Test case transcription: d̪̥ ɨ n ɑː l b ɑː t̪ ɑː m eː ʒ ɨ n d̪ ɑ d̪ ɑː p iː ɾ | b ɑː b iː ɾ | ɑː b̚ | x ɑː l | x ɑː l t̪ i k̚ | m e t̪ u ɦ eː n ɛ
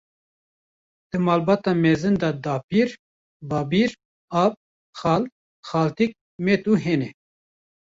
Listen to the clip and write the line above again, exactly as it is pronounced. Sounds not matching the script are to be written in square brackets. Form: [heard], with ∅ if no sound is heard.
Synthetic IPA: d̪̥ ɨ [m] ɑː l b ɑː t̪ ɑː m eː [z] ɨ n d̪ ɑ d̪ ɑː p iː ɾ | b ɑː b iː ɾ | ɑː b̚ | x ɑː l | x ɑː l t̪ i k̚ | m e t̪ u ɦ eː n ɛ